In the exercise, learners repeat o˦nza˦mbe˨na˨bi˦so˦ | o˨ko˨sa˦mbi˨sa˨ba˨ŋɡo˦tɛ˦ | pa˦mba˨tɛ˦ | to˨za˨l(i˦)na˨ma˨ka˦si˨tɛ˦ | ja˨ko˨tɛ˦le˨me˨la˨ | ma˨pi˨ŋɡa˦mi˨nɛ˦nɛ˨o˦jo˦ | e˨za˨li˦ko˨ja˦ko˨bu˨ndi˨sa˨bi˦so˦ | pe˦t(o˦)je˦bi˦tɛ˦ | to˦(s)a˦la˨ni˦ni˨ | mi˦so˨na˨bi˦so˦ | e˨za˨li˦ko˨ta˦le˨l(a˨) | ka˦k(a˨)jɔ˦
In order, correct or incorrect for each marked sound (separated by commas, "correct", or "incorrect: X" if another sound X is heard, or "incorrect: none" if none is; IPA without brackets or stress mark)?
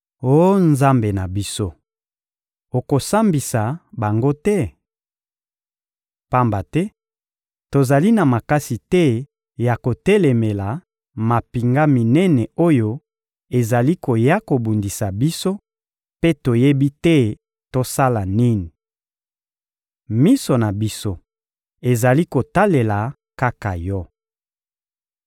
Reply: correct, incorrect: o˨, correct, correct, correct